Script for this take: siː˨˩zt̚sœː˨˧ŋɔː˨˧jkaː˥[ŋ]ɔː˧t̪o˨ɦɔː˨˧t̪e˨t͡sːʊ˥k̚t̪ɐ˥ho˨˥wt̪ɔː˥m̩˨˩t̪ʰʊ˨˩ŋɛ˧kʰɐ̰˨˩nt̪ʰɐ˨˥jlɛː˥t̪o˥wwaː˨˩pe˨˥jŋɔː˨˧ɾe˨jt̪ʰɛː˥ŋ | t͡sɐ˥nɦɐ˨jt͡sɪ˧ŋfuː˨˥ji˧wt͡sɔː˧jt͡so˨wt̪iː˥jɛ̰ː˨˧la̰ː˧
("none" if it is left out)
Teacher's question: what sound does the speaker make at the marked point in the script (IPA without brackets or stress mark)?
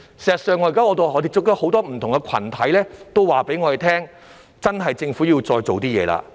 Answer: ŋ